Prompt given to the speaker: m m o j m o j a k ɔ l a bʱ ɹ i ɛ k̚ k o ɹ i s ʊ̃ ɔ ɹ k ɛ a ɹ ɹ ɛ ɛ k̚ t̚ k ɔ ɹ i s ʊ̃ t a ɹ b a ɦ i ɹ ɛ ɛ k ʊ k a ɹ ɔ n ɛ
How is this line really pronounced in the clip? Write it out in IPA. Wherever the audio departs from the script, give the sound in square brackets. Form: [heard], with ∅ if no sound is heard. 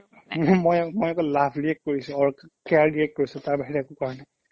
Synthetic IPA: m m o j m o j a k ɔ l a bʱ ɹ i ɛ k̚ k o ɹ i s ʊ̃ ɔ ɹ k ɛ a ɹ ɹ [i] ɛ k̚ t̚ k [o] ɹ i s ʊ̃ t a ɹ b a ɦ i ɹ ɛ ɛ k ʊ k a ɹ ɔ n ɛ